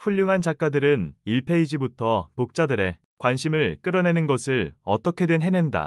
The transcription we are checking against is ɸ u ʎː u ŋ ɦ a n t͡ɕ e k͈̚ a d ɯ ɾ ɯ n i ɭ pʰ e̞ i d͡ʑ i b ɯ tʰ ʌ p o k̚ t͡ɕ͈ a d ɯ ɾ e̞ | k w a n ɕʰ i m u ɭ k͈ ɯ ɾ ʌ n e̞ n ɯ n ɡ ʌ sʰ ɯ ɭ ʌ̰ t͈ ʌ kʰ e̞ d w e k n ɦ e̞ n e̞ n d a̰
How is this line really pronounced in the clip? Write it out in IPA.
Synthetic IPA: ɸ u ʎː u ŋ ɦ a n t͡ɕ a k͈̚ a d ɯ ɾ ɯ n i ɭ pʰ e̞ i d͡ʑ i b u tʰ ʌ p o k̚ t͡ɕ͈ a d ɯ ɾ e̞ | k w a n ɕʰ i m ɯ ɭ k͈ ɯ ɾ ʌ n e̞ n ɯ n ɡ ʌ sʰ ɯ ɭ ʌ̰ t͈ ʌ kʰ e̞ d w e n ɦ e̞ n e̞ n d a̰

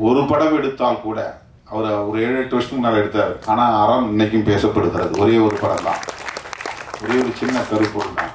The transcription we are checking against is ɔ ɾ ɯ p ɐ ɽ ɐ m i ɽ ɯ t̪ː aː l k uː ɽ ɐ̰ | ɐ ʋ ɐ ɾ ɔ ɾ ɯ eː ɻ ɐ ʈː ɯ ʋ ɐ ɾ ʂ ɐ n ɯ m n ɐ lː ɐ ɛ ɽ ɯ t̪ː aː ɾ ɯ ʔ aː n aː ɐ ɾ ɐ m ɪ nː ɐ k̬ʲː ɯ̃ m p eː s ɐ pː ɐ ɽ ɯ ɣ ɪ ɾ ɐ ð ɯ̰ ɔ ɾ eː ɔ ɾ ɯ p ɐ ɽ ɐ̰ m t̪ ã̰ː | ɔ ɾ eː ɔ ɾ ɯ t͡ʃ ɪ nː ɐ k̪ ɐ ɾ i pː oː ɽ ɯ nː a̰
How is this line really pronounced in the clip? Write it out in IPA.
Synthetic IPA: ɔ ɾ ɯ p ɐ ɽ ɐ m ɛ ɽ ɯ t̪ː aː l k uː ɽ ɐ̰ | ɐ ʋ ɐ ɾ ɔ ɾ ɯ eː ɻ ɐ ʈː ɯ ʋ ɐ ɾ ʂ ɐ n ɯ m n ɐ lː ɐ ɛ ɽ ɯ t̪ː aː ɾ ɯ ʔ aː n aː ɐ ɾ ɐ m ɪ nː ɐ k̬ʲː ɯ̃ m p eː s ɐ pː ɐ ɽ ɯ ɣ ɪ ɾ ɐ ð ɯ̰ ɔ ɾ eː ɔ ɾ ɯ p ɐ ɽ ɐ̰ m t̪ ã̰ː | ɔ ɾ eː ɔ ɾ ɯ t͡ʃ ɪ nː ɐ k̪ ɐ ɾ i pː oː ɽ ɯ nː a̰

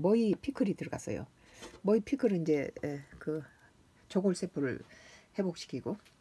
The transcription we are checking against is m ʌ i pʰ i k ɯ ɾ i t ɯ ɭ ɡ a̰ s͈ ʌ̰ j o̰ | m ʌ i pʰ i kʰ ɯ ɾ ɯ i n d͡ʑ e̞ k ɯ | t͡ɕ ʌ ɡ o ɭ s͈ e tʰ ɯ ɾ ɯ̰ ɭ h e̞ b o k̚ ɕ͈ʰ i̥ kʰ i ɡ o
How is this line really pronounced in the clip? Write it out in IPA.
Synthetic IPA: m ʌ i pʰ i kʰ ɯ ɾ i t ɯ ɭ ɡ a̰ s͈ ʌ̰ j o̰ | m ʌ i pʰ i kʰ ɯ ɾ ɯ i n d͡ʑ e̞ k ɯ | t͡ɕ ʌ ɡ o ɭ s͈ e pʰ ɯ ɾ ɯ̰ ɭ h e̞ b o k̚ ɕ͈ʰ i̥ kʰ i ɡ o

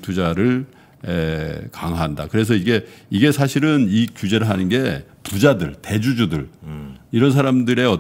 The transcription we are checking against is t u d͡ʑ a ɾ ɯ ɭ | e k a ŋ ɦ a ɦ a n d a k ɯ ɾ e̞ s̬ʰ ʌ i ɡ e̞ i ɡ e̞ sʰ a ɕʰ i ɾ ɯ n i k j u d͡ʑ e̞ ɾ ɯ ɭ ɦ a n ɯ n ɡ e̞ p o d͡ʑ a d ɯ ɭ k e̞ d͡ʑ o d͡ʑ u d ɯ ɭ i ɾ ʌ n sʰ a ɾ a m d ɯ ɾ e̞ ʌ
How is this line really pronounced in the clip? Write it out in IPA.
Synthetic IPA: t u d͡ʑ a ɾ ɯ ɭ | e k a ŋ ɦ a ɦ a n d a k ɯ ɾ e̞ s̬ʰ ʌ i ɡ e̞ i ɡ e̞ sʰ a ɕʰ i ɾ ɯ n i k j u d͡ʑ e̞ ɾ ɯ ɭ ɦ a n ɯ n ɡ e̞ p u d͡ʑ a d ɯ ɭ t e̞ d͡ʑ u d͡ʑ u d ɯ ɭ i ɾ ʌ n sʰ a ɾ a m d ɯ ɾ e̞ ʌ

